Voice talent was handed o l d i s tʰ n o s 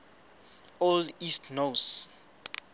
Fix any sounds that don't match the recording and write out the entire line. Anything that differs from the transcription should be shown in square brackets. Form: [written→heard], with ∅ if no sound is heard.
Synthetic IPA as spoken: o l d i s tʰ n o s